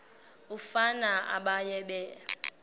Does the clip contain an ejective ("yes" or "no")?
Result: no